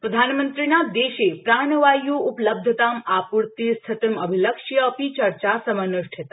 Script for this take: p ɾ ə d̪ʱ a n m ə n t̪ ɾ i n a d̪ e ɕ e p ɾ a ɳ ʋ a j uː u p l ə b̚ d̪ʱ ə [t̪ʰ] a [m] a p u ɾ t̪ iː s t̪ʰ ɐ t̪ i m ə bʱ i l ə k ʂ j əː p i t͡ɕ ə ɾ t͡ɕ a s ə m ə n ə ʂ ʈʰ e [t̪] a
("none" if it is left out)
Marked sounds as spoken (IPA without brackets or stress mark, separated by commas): t̪, m, t̪